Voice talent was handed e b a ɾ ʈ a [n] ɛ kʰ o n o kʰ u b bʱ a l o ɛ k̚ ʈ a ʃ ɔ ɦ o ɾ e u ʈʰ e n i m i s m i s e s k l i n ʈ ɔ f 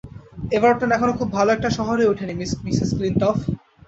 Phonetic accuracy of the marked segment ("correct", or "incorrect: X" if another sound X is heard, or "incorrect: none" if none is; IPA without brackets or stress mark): correct